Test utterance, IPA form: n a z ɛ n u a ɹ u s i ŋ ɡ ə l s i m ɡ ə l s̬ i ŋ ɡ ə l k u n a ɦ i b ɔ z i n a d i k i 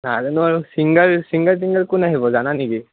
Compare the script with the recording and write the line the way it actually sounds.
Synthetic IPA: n a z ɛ n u a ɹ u s i ŋ ɡ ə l s i ŋ ɡ ə l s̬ i ŋ ɡ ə l k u n a ɦ i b ɔ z a n a n i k i

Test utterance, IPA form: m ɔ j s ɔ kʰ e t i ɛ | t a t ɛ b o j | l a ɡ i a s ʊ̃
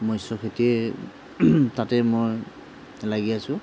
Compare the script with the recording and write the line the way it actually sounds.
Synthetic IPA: m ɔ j s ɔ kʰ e t i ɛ | t a t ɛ m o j | l a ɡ i a s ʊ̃

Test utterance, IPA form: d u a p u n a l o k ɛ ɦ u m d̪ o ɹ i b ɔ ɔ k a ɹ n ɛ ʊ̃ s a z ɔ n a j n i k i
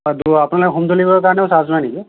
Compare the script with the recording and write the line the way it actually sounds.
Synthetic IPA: d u a p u n a l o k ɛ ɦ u m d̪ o l i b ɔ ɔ k a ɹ n ɛ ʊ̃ s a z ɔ n a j n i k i

